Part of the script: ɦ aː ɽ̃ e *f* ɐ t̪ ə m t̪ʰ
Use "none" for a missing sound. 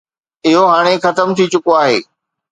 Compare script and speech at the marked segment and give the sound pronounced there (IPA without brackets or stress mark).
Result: x